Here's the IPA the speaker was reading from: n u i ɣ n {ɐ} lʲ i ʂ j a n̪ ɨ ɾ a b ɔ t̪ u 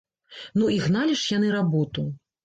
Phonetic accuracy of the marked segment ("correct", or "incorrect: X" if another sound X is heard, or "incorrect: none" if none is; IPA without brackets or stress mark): incorrect: a